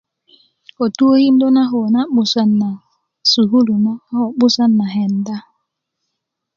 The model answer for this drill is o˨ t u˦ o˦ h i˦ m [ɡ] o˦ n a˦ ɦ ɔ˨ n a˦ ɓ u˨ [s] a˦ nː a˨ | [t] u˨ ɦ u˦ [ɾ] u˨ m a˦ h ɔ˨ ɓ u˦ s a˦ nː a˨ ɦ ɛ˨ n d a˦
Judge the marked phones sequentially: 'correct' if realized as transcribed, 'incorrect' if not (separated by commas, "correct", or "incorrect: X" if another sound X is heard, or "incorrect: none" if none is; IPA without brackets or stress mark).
incorrect: d, correct, incorrect: s, incorrect: l